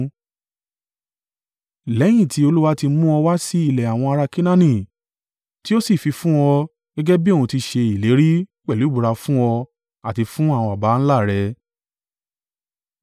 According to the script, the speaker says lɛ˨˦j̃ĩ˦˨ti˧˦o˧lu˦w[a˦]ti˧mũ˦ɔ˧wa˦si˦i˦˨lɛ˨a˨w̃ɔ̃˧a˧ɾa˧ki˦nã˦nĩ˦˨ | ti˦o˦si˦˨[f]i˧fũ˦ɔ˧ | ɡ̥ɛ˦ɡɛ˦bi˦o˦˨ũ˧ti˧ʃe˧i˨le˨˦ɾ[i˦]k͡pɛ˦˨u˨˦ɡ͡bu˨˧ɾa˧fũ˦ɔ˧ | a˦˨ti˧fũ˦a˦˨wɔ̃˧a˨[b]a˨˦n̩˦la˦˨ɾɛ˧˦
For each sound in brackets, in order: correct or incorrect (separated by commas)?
correct, correct, correct, correct